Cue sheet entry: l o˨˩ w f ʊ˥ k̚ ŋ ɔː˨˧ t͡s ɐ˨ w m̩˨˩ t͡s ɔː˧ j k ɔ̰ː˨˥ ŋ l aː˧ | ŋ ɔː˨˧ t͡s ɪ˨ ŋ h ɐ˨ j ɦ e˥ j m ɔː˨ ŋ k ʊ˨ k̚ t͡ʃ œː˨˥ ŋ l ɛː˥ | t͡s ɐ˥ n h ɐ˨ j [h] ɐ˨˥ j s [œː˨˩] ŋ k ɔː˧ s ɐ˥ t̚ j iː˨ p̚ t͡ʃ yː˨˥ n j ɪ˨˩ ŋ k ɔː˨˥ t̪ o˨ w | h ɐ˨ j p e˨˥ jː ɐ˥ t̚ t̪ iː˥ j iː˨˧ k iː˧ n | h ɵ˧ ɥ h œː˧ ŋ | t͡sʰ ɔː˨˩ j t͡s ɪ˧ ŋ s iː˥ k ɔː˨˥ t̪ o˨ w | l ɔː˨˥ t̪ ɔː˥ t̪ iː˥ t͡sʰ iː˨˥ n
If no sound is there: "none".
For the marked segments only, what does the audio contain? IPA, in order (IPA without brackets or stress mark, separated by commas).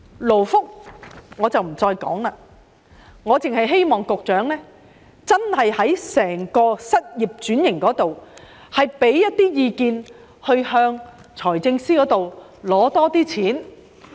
h, ɛː˨˩